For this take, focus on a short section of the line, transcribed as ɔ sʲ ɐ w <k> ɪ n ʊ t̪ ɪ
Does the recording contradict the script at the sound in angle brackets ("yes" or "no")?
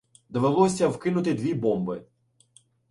no